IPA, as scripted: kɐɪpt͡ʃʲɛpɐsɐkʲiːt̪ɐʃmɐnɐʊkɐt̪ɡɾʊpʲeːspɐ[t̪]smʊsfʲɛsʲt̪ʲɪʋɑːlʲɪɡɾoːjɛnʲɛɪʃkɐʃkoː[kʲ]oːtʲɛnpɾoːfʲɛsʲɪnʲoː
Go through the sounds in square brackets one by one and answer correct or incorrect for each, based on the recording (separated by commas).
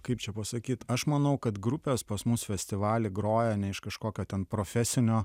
incorrect, correct